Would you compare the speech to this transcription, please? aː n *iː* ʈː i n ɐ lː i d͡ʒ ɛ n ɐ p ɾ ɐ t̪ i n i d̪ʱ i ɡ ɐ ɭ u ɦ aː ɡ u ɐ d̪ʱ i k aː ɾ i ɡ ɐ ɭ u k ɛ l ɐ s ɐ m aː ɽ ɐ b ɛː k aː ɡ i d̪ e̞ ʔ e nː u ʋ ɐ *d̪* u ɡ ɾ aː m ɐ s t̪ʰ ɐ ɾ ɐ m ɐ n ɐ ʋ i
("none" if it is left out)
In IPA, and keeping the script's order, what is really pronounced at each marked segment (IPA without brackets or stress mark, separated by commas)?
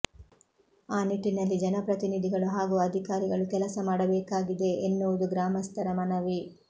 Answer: i, d̪